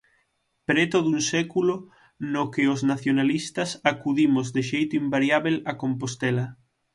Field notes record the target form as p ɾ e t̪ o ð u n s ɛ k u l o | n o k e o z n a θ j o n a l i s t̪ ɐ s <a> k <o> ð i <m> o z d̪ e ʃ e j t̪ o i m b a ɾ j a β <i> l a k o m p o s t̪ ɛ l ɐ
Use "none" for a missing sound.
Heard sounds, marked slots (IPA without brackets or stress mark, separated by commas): a, u, m, e